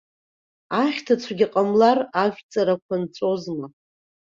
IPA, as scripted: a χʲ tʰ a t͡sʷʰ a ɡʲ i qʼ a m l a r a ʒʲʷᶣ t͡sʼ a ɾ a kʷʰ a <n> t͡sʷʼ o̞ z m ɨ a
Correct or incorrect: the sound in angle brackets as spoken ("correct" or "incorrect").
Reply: correct